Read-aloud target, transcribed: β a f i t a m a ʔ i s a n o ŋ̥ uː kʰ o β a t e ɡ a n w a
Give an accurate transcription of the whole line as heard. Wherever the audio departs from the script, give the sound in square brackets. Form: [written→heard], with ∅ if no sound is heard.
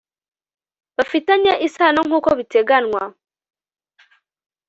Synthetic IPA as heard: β a f i t a [m→ɲ] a ʔ i s a n o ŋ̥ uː [kʰ→k] o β [a→i] t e ɡ a n w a